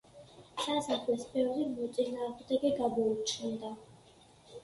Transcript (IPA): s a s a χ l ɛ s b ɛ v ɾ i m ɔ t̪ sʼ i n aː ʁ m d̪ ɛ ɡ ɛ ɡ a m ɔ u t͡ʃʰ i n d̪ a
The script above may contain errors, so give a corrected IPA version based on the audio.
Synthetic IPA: s a s a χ l ɛ s b ɛ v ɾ i m ɔ t̪ sʼ i n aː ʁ m d̪ ɛ ɡ ɛ ɡ a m ɔ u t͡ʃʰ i n d̪ a